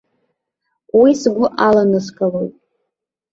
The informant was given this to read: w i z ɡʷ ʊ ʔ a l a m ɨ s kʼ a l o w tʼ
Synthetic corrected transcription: w i s ɡʷ ʊ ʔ a l a n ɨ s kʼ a l o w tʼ